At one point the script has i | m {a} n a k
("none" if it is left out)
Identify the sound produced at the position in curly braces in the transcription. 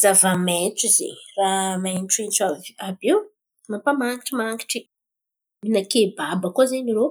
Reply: i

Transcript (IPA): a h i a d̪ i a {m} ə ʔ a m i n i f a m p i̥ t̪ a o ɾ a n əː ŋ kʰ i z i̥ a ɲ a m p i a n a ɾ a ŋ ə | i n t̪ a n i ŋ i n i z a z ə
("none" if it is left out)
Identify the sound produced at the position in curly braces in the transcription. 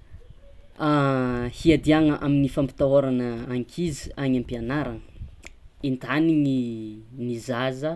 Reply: ŋ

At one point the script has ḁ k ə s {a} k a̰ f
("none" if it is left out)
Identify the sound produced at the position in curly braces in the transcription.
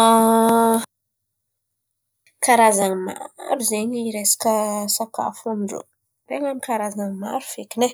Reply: a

